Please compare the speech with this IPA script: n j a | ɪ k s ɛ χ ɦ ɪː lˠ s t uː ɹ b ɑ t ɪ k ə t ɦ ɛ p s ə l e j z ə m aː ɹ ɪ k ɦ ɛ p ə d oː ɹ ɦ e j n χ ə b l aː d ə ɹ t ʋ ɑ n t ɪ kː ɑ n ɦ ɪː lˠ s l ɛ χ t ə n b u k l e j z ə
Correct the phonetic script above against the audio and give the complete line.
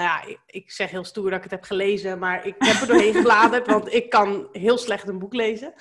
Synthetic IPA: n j a | ɪ k s ɛ χ ɦ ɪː lˠ s t uː ɹ d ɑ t ɪ k ə t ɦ ɛ p χ ə l e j z ə m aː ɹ ɪ k ɦ ɛ p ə d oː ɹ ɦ e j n χ ə b l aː d ə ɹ t ʋ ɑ n t ɪ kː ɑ n ɦ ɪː lˠ s l ɛ χ t ə n b u k l e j z ə